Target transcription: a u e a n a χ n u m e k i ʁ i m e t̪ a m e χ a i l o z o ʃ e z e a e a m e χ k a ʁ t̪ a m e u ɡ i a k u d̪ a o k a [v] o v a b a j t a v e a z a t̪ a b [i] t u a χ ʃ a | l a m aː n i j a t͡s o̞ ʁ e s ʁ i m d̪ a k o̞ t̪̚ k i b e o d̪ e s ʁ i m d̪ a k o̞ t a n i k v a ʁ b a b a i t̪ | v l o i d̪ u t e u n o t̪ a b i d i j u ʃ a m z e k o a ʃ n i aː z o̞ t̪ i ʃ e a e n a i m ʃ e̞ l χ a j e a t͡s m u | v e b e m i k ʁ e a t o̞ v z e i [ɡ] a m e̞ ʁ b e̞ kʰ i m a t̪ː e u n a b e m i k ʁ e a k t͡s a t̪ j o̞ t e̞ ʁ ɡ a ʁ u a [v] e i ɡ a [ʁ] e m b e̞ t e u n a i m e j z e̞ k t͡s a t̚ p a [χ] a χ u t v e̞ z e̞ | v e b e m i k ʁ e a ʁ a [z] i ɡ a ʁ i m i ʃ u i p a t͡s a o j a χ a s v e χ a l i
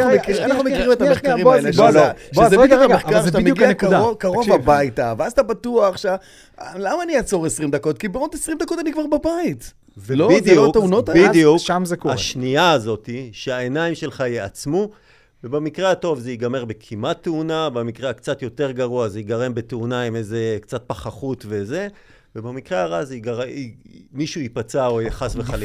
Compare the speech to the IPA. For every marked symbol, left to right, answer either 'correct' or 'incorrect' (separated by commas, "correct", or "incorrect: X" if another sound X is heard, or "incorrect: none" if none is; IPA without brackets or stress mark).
incorrect: ʁ, incorrect: a, correct, incorrect: z, correct, correct, correct